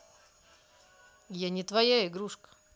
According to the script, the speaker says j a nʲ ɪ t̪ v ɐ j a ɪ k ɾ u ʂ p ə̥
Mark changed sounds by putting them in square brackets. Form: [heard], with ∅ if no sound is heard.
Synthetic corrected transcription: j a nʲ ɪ t̪ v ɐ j a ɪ [ɡ] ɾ u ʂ [k] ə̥